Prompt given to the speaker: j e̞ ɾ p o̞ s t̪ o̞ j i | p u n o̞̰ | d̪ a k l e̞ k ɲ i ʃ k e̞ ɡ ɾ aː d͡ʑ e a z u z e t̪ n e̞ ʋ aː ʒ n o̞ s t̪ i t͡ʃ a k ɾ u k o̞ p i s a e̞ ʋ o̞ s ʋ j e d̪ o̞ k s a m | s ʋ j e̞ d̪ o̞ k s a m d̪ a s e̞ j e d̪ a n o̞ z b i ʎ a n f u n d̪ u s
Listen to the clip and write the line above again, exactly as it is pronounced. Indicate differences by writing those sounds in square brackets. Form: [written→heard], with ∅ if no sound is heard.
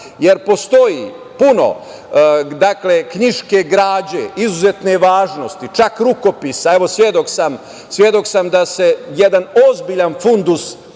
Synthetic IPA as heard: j e̞ ɾ p o̞ s t̪ o̞ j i | p u n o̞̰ | d̪ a k l e̞ k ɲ i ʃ k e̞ ɡ ɾ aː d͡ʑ e [a→i] z u z e t̪ n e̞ ʋ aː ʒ n o̞ s t̪ i t͡ʃ a k ɾ u k o̞ p i s a e̞ ʋ o̞ s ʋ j e d̪ o̞ k s a m | s ʋ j e̞ d̪ o̞ k s a m d̪ a s e̞ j e d̪ a n o̞ z b i ʎ a n f u n d̪ u s